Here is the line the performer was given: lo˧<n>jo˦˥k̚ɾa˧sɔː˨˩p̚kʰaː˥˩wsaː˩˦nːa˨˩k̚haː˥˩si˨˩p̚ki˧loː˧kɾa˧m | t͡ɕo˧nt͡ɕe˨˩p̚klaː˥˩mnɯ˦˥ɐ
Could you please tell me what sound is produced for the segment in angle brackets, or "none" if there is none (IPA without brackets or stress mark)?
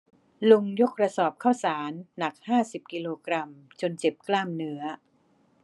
ŋ